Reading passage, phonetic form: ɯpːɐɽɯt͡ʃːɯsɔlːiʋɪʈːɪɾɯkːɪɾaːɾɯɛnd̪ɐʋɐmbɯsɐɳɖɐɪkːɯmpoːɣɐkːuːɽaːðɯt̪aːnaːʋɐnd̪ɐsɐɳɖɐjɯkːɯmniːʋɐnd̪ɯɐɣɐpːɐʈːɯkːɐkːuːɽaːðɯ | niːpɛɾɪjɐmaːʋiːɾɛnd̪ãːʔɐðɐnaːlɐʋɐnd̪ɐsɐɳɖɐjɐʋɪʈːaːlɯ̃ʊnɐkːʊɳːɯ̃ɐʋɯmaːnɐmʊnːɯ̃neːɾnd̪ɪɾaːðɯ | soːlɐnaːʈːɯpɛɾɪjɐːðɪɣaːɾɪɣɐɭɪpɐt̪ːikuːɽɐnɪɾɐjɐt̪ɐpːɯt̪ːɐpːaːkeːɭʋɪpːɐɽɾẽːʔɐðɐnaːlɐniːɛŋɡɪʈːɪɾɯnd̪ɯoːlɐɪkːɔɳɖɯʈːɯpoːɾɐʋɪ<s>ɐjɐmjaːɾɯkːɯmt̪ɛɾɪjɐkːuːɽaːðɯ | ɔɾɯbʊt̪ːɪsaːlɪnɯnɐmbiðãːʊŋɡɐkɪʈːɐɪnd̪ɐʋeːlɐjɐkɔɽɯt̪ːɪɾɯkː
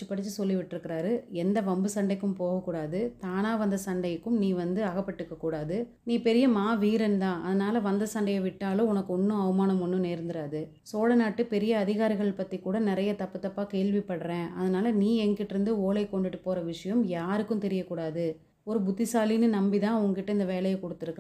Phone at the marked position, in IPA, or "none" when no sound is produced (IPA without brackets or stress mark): ʂ